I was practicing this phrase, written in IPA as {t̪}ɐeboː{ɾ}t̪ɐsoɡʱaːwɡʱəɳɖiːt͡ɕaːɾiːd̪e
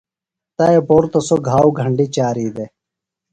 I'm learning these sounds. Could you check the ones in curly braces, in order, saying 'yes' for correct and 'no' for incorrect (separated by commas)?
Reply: yes, yes